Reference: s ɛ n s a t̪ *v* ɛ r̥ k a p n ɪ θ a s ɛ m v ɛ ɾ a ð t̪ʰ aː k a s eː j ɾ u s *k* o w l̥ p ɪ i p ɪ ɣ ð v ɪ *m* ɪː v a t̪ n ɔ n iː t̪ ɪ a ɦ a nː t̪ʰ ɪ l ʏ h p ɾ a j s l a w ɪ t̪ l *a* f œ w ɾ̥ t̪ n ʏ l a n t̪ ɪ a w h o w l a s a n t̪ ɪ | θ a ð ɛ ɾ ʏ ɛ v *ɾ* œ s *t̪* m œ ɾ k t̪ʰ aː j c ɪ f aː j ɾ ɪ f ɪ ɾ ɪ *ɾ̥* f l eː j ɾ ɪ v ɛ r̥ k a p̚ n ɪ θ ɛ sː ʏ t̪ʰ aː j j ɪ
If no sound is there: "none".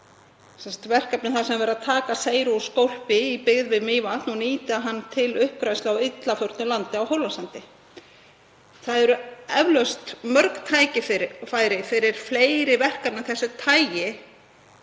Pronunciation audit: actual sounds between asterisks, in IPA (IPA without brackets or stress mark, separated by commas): v, k, m, a, l, t̪, ɾ̥